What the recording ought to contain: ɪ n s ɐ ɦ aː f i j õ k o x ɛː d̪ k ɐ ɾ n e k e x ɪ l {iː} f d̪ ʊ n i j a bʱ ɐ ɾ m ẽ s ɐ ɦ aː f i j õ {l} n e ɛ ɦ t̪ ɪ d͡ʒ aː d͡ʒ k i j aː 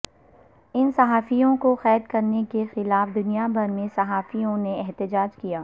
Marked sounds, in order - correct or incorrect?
incorrect, incorrect

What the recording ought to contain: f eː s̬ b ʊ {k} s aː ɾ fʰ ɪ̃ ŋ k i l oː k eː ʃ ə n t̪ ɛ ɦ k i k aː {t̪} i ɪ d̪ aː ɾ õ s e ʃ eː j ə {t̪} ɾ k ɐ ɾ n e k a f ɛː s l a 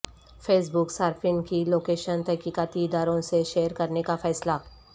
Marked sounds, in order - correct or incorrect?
correct, correct, incorrect

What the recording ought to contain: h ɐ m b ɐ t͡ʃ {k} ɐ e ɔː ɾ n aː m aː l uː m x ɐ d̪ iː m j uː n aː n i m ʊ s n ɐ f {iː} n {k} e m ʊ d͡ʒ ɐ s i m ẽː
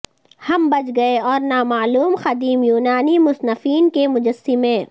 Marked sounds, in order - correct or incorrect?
incorrect, correct, correct

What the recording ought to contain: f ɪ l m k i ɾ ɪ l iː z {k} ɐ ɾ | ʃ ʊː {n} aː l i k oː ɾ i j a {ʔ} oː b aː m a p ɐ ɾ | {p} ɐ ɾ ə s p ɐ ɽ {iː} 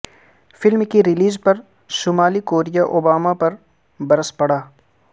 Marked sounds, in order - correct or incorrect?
incorrect, incorrect, correct, incorrect, incorrect

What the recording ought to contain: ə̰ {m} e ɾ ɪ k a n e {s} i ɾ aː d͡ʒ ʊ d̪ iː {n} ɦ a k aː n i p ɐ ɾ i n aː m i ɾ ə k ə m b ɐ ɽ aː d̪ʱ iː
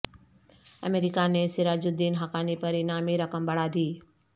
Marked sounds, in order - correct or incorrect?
correct, correct, correct

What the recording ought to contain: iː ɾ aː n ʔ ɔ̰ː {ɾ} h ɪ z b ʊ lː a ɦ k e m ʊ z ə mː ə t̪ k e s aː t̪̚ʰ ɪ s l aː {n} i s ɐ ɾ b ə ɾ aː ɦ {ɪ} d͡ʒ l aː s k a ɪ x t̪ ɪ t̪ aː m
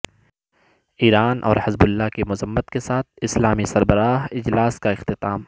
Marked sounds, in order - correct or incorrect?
correct, incorrect, correct

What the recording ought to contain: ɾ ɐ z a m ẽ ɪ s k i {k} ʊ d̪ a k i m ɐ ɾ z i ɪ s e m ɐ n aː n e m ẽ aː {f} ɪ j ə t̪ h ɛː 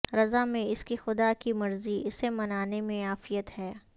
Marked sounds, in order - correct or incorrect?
incorrect, correct

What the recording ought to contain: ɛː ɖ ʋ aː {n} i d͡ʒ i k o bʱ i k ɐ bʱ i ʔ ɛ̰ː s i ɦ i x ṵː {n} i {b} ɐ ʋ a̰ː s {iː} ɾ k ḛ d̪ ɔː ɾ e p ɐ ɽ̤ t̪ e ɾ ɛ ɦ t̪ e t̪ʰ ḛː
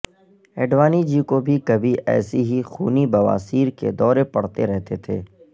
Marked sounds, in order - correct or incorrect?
correct, correct, correct, correct

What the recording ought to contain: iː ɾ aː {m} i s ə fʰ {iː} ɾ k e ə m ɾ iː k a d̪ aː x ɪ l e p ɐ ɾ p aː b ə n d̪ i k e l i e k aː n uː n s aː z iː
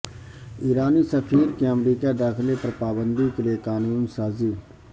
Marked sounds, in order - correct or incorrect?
incorrect, correct

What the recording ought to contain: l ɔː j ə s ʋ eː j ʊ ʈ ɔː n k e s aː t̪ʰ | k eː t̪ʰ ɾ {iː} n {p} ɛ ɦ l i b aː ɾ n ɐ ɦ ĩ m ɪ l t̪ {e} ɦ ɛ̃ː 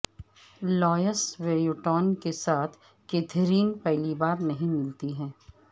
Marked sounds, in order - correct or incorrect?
correct, correct, incorrect

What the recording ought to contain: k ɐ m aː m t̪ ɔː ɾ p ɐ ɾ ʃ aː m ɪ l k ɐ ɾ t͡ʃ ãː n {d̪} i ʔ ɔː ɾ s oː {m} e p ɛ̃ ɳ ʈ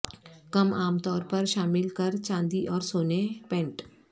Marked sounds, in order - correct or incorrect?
correct, incorrect

